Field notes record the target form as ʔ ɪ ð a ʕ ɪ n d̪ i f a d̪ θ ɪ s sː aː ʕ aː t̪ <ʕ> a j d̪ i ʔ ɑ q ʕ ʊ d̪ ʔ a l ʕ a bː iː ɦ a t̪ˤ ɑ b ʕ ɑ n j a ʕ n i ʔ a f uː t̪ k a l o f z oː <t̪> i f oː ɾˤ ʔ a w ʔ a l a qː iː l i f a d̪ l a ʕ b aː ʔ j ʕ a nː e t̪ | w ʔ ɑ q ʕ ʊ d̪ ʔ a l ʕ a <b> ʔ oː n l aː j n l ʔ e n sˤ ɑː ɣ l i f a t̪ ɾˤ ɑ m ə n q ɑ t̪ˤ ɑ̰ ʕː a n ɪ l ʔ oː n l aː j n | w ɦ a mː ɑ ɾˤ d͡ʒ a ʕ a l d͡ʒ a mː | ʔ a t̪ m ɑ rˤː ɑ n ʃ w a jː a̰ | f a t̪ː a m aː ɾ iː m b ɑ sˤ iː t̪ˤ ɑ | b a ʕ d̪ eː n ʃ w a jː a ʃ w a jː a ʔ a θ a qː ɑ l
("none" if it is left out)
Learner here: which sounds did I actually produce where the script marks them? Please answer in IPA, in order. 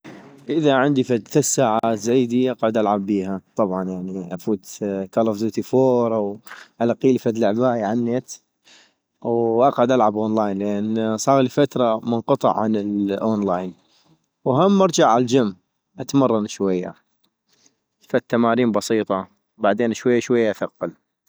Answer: z, t̪, b

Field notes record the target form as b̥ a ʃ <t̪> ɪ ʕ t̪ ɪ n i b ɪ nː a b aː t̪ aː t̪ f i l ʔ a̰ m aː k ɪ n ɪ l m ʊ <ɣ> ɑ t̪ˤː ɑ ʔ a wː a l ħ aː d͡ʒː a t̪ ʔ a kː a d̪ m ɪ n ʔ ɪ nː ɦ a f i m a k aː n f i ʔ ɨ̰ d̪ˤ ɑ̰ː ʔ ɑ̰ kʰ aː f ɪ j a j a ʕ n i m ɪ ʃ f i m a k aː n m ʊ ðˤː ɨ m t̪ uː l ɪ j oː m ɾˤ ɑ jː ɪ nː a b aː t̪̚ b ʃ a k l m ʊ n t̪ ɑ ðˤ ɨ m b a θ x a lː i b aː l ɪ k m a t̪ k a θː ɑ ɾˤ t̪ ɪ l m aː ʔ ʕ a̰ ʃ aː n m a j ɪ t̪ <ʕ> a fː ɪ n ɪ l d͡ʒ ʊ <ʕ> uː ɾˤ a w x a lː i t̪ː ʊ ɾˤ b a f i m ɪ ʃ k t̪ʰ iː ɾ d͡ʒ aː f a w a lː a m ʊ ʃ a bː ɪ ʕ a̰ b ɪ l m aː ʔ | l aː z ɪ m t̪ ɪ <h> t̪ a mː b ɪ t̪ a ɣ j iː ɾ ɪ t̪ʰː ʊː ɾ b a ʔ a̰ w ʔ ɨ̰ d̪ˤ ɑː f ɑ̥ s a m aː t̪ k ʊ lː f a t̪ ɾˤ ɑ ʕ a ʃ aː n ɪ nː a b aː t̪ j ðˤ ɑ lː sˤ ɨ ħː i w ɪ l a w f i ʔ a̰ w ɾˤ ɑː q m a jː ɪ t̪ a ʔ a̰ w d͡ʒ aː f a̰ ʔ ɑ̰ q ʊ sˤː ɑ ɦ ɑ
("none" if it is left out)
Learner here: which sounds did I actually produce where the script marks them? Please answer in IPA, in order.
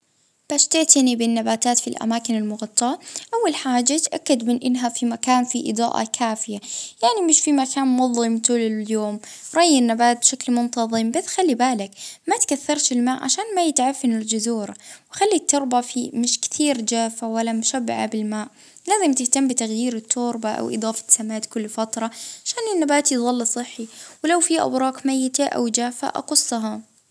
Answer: t̪, ɣ, ʕ, z, h

